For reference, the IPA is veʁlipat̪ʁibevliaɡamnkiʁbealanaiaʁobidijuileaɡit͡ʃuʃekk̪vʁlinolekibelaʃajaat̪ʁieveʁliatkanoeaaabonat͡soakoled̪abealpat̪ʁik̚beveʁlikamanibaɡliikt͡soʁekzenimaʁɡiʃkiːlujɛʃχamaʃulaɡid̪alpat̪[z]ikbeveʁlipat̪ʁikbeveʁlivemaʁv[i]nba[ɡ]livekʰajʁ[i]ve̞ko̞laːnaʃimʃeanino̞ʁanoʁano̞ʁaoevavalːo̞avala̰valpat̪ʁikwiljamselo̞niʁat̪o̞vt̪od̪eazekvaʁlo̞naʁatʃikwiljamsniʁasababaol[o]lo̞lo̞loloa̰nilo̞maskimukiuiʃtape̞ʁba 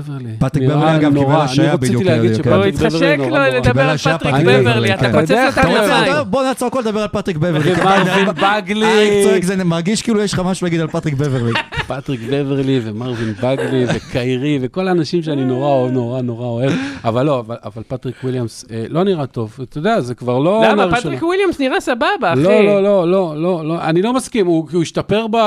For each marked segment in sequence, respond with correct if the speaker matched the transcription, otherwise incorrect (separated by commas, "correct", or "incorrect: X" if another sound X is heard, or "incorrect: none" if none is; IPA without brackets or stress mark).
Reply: incorrect: ʁ, correct, correct, correct, correct